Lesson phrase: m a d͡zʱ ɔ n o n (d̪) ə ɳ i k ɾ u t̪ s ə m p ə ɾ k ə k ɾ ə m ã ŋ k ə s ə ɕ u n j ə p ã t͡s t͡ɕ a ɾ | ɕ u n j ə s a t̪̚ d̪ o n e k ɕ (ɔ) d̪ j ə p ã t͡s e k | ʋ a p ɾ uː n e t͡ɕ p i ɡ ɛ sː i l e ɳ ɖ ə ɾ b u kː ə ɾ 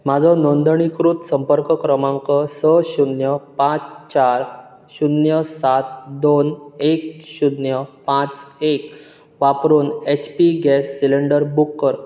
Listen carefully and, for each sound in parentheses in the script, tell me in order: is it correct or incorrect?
correct, incorrect: u

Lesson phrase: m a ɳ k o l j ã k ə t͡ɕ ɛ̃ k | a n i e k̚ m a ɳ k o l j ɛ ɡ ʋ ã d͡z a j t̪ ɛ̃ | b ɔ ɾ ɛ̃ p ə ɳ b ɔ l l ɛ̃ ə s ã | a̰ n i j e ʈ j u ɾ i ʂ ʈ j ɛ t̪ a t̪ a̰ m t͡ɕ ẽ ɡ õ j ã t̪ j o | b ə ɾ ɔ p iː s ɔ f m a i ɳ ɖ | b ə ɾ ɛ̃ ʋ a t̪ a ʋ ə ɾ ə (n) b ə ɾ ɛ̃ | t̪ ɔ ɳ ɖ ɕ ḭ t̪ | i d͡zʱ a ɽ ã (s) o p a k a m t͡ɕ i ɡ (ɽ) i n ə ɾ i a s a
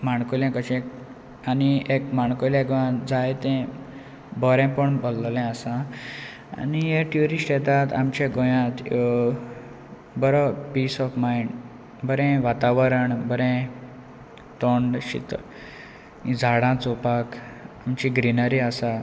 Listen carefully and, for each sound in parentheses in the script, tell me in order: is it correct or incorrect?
incorrect: ɳ, incorrect: t͡s, incorrect: ɾ

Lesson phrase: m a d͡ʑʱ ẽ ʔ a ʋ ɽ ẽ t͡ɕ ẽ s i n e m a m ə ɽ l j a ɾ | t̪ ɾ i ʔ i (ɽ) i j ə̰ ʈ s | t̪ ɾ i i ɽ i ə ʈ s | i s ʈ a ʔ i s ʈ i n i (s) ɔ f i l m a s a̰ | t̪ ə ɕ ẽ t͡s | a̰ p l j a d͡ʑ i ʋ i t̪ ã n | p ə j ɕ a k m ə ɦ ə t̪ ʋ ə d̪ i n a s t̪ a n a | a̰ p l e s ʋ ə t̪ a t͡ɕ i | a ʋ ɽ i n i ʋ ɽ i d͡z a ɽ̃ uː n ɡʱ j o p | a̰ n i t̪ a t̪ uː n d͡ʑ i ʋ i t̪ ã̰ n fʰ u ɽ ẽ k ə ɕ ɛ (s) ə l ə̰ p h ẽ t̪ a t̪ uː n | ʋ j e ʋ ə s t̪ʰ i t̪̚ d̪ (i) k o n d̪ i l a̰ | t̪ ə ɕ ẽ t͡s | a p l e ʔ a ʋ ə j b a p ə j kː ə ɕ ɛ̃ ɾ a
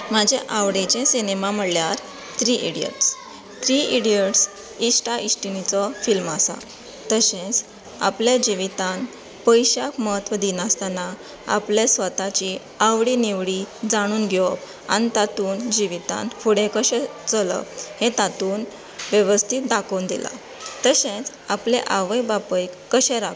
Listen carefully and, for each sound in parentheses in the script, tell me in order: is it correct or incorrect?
correct, incorrect: t͡s, incorrect: t͡s, incorrect: a

